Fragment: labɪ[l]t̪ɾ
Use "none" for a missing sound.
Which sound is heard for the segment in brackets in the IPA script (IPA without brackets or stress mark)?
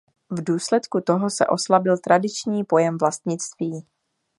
l